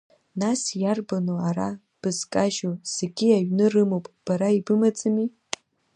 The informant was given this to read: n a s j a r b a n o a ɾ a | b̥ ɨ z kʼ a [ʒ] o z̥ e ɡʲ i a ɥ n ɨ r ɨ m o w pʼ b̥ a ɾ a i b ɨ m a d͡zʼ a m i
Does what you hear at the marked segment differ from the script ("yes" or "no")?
no